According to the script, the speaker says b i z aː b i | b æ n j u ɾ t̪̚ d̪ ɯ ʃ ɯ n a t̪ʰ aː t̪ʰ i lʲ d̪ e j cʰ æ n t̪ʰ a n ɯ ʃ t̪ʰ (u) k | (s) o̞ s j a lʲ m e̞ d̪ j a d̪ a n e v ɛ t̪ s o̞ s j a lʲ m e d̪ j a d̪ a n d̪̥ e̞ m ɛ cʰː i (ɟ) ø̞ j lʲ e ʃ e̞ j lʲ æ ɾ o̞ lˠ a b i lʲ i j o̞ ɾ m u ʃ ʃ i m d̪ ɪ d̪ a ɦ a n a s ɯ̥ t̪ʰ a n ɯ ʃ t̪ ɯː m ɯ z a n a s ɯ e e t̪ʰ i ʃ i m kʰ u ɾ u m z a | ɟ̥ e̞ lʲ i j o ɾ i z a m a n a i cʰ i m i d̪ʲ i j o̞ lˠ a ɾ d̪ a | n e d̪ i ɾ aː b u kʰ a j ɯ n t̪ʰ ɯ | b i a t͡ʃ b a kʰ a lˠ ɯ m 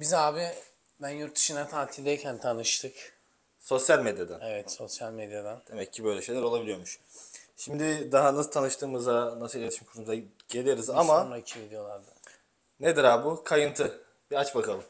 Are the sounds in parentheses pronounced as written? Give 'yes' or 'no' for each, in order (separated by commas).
no, yes, no